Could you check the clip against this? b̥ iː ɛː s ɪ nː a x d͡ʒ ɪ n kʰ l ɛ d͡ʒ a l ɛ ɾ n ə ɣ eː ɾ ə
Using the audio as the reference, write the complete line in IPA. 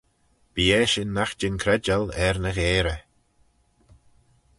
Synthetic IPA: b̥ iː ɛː ʃ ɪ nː a x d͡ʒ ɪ n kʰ ɾ ɛ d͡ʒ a l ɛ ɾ n ə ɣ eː ɾ ə